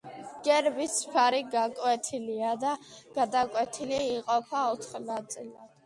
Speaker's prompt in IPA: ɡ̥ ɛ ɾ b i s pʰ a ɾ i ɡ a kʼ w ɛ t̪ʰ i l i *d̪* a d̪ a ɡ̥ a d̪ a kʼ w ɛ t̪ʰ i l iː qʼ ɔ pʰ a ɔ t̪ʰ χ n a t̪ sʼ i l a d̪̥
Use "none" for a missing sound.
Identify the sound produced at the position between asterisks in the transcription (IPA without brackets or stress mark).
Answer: none